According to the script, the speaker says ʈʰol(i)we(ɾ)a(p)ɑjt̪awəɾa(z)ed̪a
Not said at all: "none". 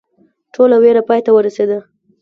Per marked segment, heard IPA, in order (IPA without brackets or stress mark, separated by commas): a, ɾ, p, s